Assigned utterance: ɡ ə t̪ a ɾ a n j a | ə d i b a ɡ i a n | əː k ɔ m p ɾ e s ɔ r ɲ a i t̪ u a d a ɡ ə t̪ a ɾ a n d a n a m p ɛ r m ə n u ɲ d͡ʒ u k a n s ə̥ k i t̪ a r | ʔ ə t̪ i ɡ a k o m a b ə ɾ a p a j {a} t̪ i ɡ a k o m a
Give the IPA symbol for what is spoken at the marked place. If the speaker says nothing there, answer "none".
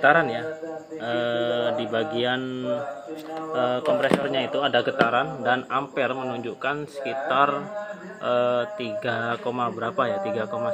a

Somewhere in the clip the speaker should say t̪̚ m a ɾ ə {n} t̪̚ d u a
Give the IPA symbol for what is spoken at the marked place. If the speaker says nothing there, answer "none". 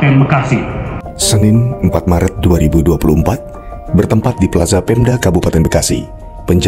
none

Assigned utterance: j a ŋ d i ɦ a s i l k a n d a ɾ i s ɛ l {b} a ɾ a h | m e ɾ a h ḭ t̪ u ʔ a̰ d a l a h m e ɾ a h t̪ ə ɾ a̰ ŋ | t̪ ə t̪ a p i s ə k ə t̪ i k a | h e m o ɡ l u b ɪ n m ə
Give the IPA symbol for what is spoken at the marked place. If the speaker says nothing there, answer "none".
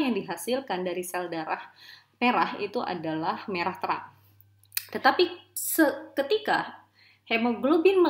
d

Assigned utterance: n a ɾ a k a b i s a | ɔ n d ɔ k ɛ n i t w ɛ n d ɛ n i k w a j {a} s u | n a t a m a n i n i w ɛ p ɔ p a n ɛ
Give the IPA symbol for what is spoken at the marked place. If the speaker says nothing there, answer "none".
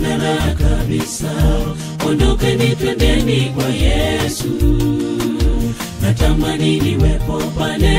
ɛ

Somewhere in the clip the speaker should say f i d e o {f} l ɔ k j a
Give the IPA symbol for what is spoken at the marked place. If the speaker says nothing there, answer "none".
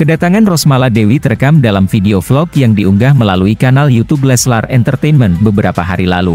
f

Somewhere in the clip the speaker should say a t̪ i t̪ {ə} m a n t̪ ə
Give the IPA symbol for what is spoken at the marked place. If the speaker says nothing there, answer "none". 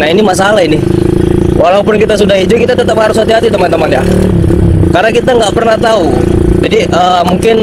ə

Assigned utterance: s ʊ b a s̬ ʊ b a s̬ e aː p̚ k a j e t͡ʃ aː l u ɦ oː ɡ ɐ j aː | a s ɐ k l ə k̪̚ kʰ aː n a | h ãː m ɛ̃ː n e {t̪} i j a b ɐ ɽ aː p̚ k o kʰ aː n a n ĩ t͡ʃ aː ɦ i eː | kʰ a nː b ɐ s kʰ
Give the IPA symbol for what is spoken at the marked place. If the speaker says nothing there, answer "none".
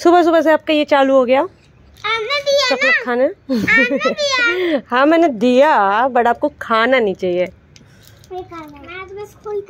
d̪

